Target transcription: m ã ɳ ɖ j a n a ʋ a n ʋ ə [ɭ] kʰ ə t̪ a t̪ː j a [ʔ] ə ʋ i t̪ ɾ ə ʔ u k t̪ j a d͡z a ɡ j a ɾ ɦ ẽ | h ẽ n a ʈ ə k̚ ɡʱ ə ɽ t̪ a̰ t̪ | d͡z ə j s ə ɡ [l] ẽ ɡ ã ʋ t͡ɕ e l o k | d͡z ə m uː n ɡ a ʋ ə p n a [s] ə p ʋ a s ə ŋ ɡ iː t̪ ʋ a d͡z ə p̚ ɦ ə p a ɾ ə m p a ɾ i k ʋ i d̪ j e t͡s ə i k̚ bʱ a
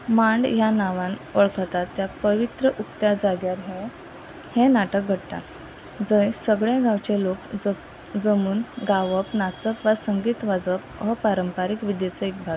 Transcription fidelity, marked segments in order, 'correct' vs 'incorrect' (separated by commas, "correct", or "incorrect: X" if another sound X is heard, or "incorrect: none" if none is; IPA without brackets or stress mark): correct, incorrect: p, incorrect: ɭ, incorrect: t͡s